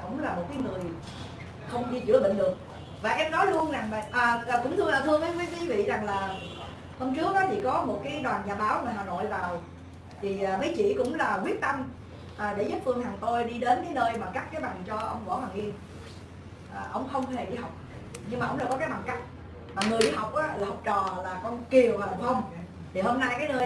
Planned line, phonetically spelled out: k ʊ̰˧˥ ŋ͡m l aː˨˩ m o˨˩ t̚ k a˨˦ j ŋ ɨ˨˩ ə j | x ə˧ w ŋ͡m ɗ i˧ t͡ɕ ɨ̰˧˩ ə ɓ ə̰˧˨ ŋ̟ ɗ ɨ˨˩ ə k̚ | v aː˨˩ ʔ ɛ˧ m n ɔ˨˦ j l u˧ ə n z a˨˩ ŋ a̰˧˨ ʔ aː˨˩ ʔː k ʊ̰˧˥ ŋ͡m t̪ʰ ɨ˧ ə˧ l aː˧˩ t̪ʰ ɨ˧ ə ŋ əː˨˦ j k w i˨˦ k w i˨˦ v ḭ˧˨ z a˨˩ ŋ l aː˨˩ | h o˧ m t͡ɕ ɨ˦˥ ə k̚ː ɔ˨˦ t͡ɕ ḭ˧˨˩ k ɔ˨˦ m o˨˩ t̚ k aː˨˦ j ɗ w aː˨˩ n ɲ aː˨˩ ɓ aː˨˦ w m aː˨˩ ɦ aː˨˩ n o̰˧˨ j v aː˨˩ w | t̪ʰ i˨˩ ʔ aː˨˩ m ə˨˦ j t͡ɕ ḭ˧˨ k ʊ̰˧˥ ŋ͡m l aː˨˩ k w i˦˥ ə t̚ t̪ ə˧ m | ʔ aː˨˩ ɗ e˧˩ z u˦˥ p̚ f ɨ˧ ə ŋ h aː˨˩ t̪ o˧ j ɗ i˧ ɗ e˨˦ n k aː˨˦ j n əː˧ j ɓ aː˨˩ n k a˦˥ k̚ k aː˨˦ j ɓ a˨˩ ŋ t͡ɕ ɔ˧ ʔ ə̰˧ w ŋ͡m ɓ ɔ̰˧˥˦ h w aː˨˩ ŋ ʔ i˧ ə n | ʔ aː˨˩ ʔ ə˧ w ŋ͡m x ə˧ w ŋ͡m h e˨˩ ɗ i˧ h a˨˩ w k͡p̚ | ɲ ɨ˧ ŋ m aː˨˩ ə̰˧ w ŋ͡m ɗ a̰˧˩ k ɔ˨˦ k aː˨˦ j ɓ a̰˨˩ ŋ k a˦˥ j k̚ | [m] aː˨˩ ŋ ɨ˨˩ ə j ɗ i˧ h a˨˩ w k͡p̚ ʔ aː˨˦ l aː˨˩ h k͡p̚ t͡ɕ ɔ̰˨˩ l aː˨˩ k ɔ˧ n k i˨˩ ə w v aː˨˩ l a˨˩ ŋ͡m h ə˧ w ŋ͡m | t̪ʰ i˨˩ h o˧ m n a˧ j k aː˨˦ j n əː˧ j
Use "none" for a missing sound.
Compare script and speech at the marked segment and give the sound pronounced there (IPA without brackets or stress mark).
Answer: m